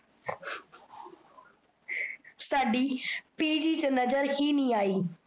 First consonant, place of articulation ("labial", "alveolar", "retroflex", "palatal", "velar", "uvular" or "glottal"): alveolar